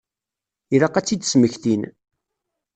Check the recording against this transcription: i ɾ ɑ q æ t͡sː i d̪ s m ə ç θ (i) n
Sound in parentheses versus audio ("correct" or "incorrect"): correct